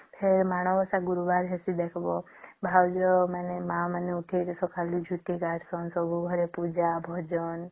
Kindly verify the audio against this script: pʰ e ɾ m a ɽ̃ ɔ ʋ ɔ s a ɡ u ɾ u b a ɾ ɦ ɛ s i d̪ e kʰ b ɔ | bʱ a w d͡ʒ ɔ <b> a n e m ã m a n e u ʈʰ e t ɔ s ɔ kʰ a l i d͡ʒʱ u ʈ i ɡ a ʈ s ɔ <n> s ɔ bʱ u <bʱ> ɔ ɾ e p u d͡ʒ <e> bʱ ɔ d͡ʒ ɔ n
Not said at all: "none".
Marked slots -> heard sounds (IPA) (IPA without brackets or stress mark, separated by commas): m, n, ɡʱ, a